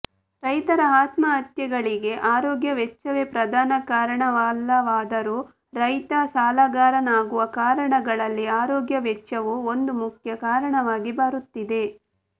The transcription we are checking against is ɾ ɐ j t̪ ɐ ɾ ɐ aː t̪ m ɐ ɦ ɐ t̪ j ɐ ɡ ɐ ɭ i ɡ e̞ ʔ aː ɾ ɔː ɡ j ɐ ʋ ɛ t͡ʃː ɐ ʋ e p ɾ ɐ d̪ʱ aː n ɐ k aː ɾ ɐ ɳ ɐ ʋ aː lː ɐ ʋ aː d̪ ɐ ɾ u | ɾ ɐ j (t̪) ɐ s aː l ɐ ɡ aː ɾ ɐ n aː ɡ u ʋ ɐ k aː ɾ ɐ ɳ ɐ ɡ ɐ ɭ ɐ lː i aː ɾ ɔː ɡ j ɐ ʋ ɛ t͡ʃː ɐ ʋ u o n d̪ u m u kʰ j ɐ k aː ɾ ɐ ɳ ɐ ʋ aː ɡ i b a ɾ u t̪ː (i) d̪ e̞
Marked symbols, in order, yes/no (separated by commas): yes, yes